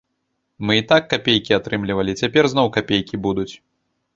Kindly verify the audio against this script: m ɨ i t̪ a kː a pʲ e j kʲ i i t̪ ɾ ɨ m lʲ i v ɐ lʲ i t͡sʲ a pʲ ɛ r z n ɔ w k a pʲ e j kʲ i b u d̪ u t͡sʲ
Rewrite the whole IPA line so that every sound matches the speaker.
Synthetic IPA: m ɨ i t̪ a kː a pʲ e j kʲ i a t̪ ɾ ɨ m lʲ i v ɐ lʲ i t͡sʲ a pʲ ɛ r z n ɔ w k a pʲ e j kʲ i b u d̪ u t͡sʲ